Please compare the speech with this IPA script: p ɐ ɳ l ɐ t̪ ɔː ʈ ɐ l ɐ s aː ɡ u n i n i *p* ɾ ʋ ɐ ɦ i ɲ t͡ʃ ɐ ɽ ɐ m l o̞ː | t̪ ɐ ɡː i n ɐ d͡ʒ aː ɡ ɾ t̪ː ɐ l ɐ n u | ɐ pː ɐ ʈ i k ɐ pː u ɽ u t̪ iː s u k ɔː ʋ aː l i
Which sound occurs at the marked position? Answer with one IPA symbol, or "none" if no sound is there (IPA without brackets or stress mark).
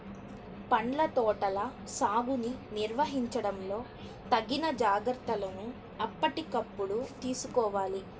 none